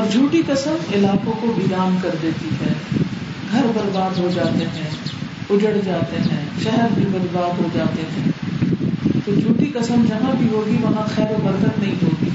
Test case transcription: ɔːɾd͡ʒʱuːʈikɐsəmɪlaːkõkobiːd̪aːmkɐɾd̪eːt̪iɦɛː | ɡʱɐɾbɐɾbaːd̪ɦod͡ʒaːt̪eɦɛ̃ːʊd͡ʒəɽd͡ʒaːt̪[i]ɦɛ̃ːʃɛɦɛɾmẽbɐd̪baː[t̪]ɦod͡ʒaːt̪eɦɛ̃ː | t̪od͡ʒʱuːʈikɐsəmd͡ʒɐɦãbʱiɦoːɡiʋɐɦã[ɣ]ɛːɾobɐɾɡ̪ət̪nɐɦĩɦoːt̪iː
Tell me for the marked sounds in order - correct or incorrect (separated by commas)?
incorrect, incorrect, incorrect